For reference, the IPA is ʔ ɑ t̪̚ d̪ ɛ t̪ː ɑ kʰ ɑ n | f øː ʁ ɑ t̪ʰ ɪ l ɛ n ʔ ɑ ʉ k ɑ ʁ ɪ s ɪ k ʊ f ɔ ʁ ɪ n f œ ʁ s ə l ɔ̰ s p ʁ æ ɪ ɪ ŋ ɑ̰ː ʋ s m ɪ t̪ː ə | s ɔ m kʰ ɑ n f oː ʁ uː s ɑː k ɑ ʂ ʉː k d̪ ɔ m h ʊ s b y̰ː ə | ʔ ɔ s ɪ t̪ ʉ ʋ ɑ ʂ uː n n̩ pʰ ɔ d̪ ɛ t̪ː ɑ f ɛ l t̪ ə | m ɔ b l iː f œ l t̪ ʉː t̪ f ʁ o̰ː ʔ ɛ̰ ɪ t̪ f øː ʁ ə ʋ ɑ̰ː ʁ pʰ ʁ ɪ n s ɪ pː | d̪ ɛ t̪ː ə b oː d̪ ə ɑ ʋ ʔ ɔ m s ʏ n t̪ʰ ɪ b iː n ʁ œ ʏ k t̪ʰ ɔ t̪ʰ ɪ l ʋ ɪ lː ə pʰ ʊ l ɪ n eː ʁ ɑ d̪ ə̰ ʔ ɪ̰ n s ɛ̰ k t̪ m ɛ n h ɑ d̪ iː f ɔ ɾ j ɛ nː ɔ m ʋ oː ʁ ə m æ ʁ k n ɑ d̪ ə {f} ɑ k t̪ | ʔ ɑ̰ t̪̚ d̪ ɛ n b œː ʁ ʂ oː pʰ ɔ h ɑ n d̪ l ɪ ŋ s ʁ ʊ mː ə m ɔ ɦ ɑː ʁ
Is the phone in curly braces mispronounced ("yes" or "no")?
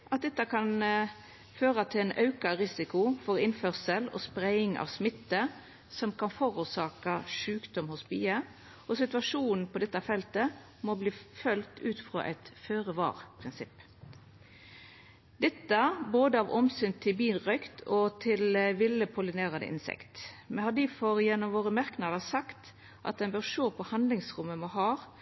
yes